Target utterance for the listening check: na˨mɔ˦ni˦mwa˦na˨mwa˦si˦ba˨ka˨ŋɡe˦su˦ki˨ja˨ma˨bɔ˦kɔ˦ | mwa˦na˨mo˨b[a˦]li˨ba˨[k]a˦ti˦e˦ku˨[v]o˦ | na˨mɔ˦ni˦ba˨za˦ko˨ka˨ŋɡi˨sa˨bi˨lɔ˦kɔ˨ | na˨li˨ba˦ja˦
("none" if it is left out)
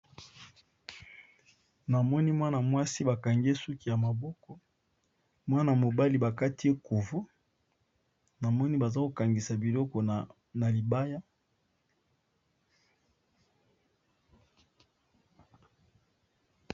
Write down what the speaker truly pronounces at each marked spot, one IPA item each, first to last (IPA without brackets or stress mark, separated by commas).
a˦, k, v